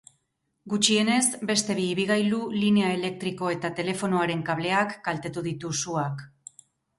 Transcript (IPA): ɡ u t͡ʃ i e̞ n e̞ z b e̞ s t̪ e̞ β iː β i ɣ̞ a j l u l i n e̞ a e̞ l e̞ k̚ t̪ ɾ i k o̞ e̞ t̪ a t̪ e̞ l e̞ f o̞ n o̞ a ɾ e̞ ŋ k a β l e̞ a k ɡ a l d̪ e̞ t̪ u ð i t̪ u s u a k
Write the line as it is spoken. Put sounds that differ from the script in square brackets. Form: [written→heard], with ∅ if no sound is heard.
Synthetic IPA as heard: ɡ u t͡ʃ i e̞ n e̞ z b e̞ s t̪ e̞ β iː β i ɣ̞ a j l u l i n e̞ a e̞ l e̞ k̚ t̪ ɾ i k o̞ e̞ t̪ a t̪ e̞ l e̞ f o̞ n o̞ a ɾ e̞ ŋ k a β l e̞ a k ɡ a l [d̪→t̪] e̞ t̪ u ð i t̪ u s u a k